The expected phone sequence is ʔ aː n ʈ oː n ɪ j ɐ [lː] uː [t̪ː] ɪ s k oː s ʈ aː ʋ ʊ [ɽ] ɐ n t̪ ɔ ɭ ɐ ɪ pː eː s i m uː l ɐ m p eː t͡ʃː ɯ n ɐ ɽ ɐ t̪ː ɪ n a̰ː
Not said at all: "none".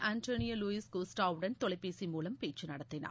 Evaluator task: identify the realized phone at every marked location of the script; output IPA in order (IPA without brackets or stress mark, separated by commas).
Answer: l, none, ɽ